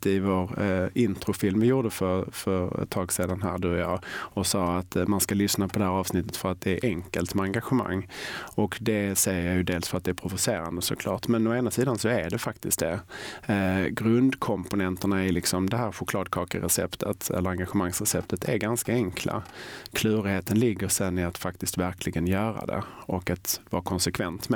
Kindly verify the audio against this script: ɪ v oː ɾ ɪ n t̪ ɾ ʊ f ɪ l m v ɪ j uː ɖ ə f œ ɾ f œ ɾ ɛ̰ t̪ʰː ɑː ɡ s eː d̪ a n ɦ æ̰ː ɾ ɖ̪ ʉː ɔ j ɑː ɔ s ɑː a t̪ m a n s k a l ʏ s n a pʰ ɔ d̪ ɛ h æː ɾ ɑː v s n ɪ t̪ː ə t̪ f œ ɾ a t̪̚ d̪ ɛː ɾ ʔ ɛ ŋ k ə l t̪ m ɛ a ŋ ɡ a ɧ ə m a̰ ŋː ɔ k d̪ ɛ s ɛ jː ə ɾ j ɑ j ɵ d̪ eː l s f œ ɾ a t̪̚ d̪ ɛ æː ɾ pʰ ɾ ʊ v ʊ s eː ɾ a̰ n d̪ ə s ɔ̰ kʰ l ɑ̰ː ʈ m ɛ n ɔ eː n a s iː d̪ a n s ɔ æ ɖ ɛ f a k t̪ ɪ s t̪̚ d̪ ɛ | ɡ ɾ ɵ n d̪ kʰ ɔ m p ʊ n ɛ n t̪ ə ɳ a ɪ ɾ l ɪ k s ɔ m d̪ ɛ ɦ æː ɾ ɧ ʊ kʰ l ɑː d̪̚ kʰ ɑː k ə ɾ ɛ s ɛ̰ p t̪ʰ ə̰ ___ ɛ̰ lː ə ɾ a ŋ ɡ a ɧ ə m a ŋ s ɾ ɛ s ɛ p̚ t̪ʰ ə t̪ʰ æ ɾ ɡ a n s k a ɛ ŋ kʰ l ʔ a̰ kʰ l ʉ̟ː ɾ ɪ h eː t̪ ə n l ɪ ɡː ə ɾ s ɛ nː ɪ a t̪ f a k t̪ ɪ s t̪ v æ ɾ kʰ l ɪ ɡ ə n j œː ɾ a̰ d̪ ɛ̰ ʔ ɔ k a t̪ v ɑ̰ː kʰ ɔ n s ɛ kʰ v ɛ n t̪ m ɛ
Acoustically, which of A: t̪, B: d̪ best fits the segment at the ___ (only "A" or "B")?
A